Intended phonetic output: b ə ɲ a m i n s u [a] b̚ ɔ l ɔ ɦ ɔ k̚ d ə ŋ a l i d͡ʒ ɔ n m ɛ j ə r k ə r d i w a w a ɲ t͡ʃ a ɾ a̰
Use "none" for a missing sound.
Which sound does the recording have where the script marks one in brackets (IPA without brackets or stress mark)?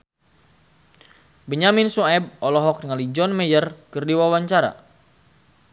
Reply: ɛ